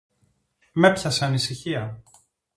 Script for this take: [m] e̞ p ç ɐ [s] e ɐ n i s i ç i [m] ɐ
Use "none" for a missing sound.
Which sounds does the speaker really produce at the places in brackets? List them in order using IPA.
m, s, none

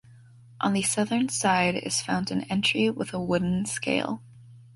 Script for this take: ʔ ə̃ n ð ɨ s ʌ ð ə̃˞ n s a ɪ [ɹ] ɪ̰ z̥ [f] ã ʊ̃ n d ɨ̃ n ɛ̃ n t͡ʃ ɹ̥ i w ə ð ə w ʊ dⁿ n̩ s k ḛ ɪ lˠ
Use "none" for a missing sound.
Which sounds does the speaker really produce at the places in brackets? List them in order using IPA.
ɾ, f

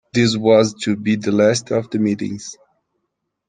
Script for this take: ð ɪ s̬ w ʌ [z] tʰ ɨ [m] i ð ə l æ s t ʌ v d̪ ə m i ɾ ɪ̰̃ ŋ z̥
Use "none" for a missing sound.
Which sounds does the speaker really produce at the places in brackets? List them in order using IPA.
z, b

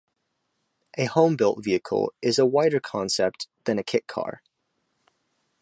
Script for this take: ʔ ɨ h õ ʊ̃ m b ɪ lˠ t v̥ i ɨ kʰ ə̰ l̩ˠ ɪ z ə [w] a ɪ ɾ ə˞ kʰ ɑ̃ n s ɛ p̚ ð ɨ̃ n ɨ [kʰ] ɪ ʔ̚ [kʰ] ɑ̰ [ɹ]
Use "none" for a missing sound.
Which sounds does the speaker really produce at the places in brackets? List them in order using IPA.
w, kʰ, kʰ, ɹ

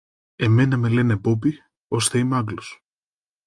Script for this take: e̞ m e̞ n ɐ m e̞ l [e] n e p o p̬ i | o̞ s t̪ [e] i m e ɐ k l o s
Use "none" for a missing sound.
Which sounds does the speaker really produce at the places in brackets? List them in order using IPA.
e, e

